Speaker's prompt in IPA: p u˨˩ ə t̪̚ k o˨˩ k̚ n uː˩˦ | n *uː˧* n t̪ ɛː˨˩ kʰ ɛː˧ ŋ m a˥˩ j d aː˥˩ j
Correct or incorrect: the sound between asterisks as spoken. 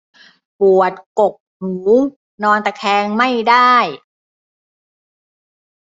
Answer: incorrect: ɔː˧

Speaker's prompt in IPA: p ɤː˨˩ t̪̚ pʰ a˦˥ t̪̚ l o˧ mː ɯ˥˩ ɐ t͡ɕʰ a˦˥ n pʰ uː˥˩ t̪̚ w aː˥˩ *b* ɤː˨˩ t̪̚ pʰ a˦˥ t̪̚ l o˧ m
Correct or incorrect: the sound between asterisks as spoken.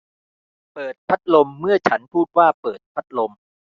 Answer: incorrect: p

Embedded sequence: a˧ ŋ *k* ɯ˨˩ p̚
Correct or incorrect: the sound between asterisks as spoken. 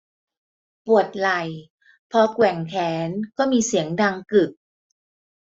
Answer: correct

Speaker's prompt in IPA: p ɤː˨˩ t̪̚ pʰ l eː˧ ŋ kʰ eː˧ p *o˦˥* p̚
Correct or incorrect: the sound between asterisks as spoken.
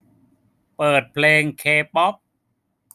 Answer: incorrect: ɔ˦˥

